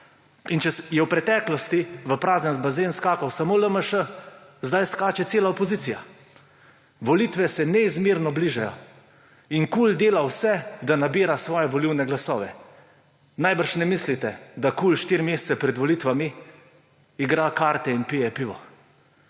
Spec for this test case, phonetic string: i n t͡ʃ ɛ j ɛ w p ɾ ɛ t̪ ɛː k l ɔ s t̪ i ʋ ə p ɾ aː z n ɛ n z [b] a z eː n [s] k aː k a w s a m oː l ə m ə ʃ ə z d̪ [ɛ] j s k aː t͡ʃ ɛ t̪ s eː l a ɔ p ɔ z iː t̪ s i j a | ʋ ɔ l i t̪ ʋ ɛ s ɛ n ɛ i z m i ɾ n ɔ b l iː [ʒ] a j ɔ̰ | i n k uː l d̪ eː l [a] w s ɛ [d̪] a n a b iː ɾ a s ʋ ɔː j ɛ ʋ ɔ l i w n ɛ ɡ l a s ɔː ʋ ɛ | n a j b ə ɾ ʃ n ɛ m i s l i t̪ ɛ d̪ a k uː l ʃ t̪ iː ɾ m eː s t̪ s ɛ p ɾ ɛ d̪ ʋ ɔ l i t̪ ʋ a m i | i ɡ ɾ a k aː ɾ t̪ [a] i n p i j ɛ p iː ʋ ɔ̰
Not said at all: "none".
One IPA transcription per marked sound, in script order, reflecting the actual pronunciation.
b, s, a, ʒ, a, d̪, ɛ

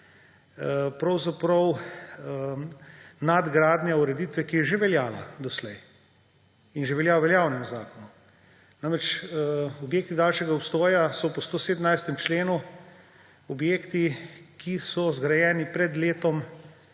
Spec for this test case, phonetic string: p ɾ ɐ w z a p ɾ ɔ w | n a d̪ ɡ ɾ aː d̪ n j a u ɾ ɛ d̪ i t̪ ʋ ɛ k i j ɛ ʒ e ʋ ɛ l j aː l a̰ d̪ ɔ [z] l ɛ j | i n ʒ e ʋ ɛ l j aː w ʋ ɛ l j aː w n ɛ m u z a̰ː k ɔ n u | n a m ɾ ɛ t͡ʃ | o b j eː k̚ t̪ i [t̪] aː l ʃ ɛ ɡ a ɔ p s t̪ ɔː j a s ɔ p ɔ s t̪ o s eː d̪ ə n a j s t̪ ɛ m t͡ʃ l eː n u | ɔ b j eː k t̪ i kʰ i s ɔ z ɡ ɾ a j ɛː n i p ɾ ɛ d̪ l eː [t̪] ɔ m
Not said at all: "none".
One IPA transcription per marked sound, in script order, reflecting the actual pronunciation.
s, d̪, t̪

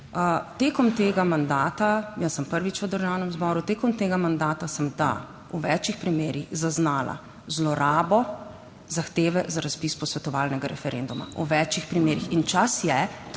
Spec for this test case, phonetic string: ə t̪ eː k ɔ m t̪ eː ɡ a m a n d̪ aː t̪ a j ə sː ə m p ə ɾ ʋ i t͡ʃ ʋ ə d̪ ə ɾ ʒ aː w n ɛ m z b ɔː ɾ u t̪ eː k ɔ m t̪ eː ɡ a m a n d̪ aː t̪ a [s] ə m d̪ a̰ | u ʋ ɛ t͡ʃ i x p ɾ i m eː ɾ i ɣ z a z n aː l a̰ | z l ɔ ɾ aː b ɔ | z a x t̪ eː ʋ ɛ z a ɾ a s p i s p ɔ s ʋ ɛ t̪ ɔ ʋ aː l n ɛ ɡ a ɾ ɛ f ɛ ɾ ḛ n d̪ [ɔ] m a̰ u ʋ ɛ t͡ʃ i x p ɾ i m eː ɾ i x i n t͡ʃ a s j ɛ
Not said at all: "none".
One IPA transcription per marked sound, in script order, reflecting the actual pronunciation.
s, u

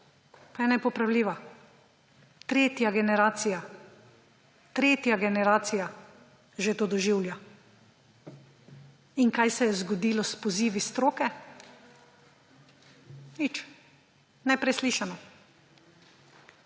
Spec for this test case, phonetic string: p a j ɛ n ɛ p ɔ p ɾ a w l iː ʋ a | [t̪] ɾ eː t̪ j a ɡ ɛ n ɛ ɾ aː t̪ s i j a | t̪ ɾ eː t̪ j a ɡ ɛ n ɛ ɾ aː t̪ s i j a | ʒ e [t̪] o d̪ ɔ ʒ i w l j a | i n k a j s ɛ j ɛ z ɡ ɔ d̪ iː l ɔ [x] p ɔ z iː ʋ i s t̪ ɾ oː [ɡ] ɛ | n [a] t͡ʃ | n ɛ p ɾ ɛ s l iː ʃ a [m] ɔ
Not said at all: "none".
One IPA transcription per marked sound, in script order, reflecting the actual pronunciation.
t̪, t̪, s, k, i, n

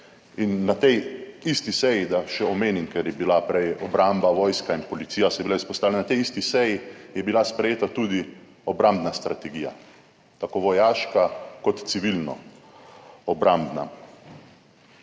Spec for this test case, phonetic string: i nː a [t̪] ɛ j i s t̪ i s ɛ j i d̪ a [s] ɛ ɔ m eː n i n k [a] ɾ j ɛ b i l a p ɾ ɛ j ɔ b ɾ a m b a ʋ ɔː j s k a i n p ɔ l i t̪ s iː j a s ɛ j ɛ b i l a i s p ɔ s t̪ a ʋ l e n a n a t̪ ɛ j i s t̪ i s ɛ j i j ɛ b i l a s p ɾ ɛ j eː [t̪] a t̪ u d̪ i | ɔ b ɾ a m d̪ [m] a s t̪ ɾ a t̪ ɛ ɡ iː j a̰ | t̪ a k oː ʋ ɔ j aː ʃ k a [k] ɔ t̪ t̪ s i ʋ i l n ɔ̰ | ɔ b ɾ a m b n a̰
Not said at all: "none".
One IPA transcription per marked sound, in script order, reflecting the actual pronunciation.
t̪, ʃ, ɛ, t̪, n, k

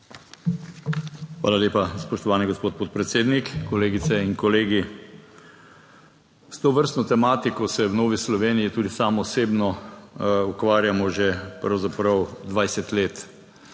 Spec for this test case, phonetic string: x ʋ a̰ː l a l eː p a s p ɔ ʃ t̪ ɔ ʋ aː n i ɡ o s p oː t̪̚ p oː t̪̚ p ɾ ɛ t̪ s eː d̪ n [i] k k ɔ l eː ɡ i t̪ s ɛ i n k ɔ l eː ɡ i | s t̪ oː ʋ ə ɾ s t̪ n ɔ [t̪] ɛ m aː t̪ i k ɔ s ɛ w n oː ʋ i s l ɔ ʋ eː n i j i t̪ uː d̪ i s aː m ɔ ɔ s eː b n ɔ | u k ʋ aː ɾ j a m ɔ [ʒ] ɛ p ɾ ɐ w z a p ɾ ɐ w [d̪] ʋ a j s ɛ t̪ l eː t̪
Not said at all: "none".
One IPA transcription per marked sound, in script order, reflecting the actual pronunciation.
i, t̪, ʒ, d̪

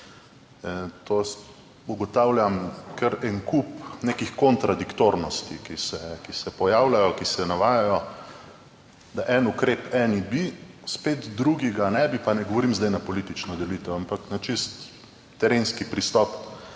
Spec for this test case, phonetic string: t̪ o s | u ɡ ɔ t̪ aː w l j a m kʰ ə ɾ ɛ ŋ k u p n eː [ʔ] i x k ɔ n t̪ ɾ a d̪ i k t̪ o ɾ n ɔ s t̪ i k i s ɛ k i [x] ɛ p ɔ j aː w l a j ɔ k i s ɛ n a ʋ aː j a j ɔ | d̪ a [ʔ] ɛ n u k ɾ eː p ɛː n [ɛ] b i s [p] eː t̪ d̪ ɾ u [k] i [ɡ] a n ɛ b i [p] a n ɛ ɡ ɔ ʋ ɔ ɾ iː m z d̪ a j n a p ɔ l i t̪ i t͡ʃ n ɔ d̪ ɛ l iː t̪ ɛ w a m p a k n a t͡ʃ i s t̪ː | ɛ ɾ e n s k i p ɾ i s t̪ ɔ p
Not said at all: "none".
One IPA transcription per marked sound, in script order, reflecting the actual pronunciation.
k, s, ʔ, i, p, ɡ, ɡ, p

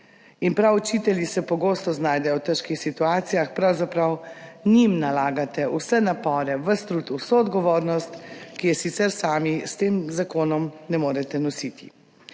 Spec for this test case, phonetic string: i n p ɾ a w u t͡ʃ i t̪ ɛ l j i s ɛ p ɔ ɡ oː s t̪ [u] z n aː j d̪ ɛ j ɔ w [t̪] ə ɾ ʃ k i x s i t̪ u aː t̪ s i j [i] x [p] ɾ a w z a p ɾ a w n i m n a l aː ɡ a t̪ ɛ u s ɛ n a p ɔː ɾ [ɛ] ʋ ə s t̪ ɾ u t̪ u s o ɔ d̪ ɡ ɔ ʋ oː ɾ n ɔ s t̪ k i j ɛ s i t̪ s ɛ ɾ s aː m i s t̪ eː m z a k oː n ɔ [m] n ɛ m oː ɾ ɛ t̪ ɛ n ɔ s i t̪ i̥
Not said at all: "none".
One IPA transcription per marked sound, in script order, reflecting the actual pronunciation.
ɔ, t̪, a, p, ɛ, m

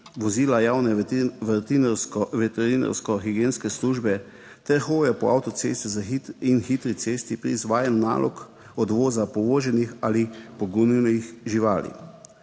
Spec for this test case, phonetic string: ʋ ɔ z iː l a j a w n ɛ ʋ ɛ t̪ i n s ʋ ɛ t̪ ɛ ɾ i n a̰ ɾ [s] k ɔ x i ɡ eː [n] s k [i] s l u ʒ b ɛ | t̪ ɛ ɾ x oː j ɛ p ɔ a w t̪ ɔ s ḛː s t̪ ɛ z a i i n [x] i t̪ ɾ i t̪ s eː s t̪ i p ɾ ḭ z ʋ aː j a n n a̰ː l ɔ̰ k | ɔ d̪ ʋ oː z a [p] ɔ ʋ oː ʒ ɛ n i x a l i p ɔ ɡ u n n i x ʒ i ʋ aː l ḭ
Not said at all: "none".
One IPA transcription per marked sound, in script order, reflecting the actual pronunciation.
s, n, ɛ, x, p

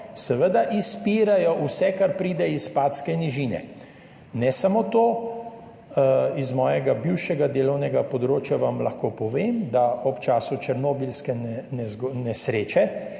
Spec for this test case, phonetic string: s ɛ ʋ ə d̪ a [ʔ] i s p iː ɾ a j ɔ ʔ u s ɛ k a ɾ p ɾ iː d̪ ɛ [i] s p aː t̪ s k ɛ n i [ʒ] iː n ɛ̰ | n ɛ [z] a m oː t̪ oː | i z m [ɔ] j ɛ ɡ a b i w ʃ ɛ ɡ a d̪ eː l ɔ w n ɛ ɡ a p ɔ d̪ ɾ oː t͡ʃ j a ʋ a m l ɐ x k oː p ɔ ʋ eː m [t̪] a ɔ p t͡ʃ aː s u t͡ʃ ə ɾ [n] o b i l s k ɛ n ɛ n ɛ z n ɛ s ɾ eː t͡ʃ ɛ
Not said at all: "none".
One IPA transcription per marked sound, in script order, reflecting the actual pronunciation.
ʔ, i, ʒ, s, ɔː, d̪, n

